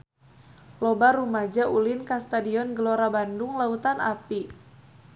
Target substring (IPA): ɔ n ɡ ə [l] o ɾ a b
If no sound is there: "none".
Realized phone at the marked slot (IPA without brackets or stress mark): l